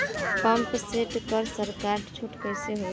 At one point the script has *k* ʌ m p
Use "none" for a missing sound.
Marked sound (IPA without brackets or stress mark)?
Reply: p